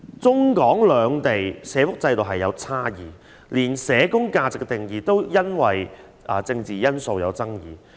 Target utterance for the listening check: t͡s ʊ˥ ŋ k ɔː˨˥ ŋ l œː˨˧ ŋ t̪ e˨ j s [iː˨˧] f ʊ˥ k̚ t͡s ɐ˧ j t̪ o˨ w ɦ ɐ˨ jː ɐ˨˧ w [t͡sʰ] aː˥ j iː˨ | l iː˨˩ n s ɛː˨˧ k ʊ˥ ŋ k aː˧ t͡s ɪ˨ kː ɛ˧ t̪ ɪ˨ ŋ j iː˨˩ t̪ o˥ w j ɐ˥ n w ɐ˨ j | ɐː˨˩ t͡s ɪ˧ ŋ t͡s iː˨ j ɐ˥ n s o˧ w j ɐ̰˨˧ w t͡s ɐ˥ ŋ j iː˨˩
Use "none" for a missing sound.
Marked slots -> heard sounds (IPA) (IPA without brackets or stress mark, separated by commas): ɛː˨˧, t͡sʰ